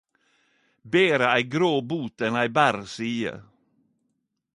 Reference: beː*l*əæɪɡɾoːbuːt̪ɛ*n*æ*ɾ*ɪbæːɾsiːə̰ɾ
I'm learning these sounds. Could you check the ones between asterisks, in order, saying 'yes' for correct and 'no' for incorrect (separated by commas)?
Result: no, yes, no